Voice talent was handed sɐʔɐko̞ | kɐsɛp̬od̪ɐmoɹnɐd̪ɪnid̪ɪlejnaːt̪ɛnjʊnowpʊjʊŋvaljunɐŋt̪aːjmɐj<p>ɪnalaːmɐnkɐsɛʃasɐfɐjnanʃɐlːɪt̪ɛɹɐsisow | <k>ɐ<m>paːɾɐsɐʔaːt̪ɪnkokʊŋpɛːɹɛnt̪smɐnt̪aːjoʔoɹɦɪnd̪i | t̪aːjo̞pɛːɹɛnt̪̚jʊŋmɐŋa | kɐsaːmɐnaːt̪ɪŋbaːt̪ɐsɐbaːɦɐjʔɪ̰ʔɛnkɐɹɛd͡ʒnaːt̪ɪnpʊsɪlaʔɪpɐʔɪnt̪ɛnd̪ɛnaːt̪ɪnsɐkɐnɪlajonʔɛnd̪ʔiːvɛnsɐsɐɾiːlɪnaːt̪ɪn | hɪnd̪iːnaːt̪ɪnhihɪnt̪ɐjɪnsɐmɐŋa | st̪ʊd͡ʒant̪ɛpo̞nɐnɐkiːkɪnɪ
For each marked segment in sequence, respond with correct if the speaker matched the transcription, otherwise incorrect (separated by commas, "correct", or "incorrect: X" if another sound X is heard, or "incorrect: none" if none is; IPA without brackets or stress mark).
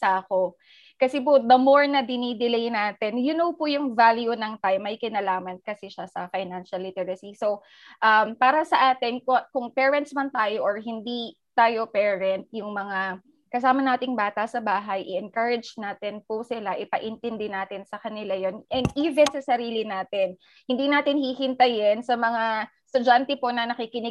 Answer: incorrect: k, incorrect: ʔ, correct